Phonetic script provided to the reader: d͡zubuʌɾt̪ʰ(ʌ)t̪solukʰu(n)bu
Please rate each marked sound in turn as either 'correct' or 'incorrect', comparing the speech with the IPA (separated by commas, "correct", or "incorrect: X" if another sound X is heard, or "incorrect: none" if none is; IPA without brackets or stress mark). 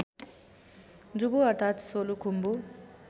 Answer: incorrect: a, incorrect: m